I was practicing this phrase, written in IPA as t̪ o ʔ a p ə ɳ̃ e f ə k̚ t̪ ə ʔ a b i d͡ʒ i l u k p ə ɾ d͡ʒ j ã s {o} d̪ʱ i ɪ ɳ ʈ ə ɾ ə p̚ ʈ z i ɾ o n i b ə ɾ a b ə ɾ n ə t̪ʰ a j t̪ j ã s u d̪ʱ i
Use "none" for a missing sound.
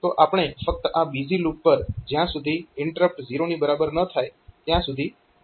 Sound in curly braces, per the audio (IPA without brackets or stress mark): u